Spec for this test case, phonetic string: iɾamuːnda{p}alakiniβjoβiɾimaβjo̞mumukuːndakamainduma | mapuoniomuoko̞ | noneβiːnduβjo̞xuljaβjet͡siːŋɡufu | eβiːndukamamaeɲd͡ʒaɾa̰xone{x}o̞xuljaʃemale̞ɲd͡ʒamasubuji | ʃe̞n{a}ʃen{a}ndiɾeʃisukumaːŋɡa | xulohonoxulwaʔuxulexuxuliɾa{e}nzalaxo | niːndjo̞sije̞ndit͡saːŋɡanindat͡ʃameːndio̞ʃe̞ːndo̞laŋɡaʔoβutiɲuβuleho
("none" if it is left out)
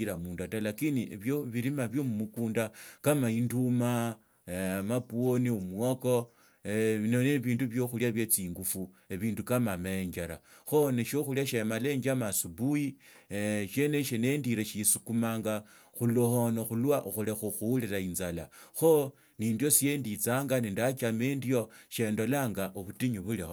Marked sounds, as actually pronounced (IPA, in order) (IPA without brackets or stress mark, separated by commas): t, ʃ, e, e, i